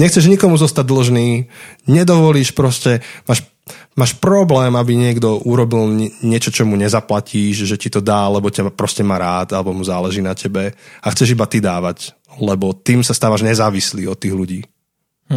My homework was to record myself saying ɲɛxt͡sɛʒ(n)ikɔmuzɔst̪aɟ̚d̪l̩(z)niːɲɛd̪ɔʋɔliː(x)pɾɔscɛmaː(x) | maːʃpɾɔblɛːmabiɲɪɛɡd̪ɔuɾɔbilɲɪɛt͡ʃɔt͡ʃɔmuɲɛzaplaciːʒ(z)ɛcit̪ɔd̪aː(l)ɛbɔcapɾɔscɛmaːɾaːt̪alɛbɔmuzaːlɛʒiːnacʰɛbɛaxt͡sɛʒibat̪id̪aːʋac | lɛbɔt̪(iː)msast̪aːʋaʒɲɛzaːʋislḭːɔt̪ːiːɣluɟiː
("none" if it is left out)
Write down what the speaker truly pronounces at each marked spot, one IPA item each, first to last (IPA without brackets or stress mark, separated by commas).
ɲ, ʒ, ʃ, ʃ, ʒ, l, iː